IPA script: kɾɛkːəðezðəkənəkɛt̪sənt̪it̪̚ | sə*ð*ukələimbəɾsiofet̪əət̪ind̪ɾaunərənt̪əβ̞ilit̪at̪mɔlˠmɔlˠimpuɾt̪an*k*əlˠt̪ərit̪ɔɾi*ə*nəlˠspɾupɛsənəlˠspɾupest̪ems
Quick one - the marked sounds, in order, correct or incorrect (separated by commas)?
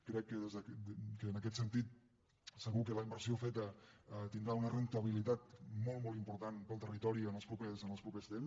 incorrect, incorrect, correct